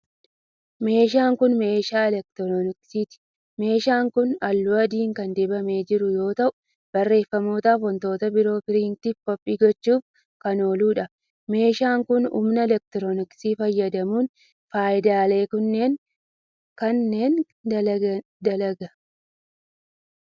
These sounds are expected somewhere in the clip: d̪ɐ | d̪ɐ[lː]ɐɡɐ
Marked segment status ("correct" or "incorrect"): incorrect